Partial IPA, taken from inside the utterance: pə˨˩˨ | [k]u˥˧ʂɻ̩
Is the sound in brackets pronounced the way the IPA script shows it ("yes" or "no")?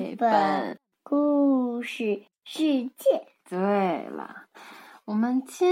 yes